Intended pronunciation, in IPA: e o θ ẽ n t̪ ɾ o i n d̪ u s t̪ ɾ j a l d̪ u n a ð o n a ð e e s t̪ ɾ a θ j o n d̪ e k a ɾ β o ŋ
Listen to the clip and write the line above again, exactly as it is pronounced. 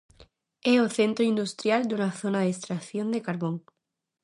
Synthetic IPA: e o θ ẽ n t̪ ɾ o i n d̪ u s t̪ ɾ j a l d̪ u n a θ o n a ð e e s t̪ ɾ a θ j o n d̪ e k a ɾ β o ŋ